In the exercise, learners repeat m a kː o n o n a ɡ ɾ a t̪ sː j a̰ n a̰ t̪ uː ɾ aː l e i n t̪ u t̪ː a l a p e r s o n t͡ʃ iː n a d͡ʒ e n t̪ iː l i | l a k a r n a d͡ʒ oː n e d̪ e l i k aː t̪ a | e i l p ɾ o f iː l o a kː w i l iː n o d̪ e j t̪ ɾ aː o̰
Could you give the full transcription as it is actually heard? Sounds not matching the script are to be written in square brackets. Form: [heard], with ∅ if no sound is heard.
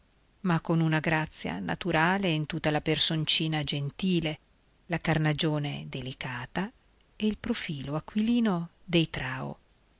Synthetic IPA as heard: m a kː o n [u] n a ɡ ɾ a t̪ sː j a̰ n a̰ t̪ [u] ɾ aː l e i n t̪ u t̪ː a l a p e r s o n t͡ʃ iː n a d͡ʒ e n t̪ iː l [e] | l a k a r n a d͡ʒ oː n e d̪ e l i k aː t̪ a | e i l p ɾ o f iː l o a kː w i l iː n o d̪ e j t̪ ɾ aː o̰

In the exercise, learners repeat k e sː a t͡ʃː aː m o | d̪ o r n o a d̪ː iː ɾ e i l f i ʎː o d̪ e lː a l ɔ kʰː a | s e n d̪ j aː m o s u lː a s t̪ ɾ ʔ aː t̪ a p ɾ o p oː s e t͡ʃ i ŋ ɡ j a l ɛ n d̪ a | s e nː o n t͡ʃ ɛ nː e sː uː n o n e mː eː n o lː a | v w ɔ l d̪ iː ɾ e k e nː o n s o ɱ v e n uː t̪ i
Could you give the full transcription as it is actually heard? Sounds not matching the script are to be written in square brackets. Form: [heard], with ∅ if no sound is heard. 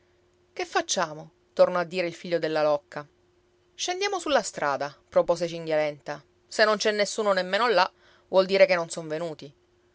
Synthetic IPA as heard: k e [fː] a t͡ʃː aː m o | [t̪] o r n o a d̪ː iː ɾ e i l f i ʎː o d̪ e lː a l ɔ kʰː a | [ʃ] e n d̪ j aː m o s u lː a s t̪ ɾ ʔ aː [d̪] a p ɾ o p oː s e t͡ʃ i ŋ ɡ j a l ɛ n [t̪] a | s e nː o n t͡ʃ ɛ nː e sː uː n o n e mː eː n o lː a | v w ɔ l d̪ iː ɾ e k e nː o n s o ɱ v e n uː t̪ i

